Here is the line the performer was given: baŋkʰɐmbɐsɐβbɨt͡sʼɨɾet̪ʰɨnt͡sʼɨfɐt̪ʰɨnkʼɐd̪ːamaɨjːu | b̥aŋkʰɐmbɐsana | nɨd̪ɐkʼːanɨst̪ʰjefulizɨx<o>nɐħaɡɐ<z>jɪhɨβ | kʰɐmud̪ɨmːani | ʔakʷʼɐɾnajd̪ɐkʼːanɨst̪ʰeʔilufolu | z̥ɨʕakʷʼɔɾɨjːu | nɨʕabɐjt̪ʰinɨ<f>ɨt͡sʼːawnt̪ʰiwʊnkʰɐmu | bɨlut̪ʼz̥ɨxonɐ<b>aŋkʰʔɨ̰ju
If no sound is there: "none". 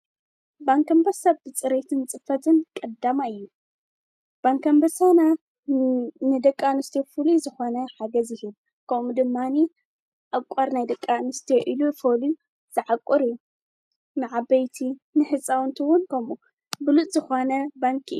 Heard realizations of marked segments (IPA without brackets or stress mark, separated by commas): o, z, ħ, b